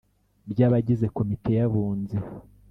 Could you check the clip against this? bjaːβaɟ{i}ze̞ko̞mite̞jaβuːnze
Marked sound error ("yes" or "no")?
no